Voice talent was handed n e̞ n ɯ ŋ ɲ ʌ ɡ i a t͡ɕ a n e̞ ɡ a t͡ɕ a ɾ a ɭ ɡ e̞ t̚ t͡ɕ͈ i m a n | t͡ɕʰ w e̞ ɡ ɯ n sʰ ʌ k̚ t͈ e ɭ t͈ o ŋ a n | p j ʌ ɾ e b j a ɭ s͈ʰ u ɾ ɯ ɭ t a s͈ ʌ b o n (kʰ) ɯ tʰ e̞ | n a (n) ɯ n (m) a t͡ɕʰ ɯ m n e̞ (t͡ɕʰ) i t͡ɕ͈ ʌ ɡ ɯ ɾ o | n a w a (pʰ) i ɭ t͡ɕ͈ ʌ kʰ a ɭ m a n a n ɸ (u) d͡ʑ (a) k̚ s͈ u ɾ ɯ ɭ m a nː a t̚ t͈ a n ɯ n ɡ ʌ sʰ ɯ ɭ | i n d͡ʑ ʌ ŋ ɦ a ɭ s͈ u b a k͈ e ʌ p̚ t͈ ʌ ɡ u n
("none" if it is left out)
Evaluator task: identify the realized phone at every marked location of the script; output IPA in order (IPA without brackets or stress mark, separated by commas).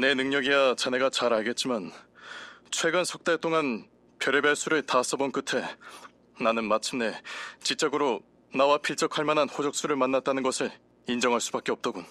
k, n, m, t͡ɕ, pʰ, o, ʌ